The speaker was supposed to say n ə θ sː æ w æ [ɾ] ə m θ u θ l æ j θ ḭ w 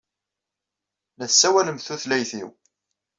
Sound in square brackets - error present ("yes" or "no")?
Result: yes